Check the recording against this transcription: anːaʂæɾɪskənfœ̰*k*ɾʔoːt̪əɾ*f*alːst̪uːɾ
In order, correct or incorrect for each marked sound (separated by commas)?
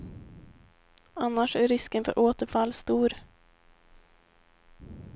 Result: incorrect, correct